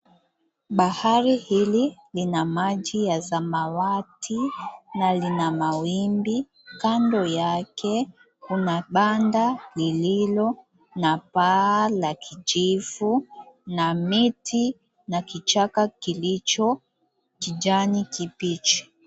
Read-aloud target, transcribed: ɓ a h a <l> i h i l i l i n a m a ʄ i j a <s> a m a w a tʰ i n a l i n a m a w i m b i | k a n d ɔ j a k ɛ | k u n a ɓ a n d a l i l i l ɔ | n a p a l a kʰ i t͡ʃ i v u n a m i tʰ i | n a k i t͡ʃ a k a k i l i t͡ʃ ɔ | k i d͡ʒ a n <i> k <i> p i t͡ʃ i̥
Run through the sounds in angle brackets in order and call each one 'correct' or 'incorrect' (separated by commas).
incorrect, incorrect, correct, correct